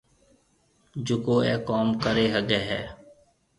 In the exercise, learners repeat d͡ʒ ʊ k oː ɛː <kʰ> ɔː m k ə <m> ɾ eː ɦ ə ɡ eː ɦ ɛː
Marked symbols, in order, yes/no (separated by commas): no, no